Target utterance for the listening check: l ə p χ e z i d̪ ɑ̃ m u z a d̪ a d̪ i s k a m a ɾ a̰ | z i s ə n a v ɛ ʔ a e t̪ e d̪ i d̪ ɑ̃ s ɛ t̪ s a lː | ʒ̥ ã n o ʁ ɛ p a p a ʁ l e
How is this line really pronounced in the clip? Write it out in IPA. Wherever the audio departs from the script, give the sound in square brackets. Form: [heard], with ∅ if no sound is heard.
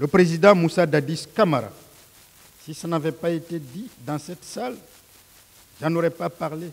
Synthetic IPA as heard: l ə p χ e z i d̪ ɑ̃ m u [s] a d̪ a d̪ i s k a m a ɾ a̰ | [s] i s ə n a v ɛ [p] a e t̪ e d̪ i d̪ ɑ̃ s ɛ t̪ s a [l] | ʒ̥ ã n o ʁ ɛ p a p a ʁ l e